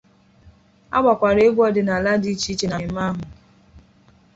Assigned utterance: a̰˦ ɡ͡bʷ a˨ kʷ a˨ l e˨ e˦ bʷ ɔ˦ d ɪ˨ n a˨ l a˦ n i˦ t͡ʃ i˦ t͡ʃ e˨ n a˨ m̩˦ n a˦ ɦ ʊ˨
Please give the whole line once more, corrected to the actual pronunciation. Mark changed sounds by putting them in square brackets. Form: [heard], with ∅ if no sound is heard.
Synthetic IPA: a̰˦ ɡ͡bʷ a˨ kʷ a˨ [ɾ] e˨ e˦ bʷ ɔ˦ d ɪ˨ n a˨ l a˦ [d] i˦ t͡ʃ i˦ t͡ʃ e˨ n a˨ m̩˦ [m] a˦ ɦ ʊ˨